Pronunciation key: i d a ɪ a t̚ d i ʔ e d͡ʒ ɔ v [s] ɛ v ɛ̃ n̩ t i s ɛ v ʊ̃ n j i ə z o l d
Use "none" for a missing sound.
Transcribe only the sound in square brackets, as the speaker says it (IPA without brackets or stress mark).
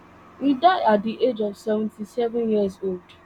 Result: s